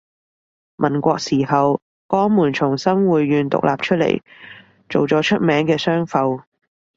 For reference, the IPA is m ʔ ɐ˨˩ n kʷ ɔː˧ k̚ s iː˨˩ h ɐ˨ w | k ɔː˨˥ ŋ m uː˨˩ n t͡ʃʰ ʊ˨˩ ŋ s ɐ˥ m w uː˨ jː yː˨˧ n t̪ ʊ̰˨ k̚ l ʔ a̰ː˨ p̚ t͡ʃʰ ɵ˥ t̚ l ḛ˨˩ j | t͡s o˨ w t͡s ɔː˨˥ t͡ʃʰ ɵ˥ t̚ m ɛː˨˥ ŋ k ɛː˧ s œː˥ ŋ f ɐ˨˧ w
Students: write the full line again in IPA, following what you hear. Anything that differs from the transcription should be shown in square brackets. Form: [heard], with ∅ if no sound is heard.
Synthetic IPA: m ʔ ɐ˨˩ n kʷ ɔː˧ k̚ s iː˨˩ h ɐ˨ w | k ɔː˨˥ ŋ m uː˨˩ n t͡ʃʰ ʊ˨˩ ŋ s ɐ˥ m w uː˨ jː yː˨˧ n t̪ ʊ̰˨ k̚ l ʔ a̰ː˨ p̚ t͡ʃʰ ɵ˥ t̚ l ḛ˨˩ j | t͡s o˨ w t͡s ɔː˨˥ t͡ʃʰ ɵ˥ t̚ m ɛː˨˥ ŋ k ɛː˧ s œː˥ ŋ f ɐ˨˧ w